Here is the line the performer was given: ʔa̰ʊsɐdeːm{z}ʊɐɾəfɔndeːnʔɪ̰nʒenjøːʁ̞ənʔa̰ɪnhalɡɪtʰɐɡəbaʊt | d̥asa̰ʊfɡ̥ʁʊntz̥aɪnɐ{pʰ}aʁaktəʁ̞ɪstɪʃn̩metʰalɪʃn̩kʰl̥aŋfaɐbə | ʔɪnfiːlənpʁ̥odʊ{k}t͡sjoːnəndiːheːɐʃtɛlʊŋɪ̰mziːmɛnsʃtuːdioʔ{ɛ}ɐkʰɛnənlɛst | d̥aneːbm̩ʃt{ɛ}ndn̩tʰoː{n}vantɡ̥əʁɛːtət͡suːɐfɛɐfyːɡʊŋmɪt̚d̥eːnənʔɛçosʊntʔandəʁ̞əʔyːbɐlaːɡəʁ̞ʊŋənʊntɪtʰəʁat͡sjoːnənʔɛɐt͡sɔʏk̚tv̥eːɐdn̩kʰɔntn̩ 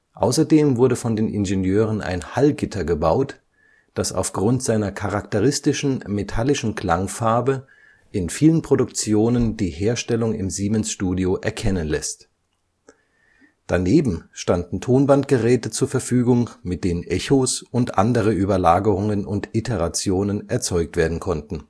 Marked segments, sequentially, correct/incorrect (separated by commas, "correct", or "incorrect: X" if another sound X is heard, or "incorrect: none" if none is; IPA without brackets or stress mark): incorrect: v, incorrect: kʰ, correct, correct, incorrect: a, correct